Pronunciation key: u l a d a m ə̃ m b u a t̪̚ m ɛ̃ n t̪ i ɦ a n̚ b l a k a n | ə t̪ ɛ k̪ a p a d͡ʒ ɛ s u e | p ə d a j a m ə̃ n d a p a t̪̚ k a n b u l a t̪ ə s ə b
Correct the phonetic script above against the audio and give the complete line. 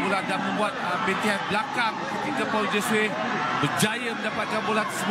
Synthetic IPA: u l a d a m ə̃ m b u a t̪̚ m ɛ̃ n t̪ i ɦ a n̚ b l a k a ŋ | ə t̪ i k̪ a p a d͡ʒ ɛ s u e | b ə d͡ʒ a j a m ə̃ n d a p a t̪̚ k a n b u l a t̪ ə s ə b